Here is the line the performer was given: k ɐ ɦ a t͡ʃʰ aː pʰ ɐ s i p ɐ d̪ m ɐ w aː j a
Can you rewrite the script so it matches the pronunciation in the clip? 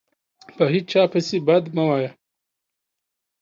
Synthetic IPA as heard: p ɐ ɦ i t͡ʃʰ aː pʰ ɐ s i b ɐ d̪ m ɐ w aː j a